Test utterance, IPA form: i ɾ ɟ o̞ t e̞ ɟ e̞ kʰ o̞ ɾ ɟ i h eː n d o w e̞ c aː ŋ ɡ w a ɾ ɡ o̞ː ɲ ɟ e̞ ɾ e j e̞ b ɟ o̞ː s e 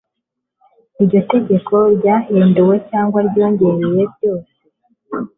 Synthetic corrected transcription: i ɾ ɟ o̞ t e̞ ɟ e̞ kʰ o̞ ɾ ɟ a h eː n d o w e̞ c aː ŋ ɡ w a ɾ ɟ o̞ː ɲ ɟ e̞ ɾ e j e̞ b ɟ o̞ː s e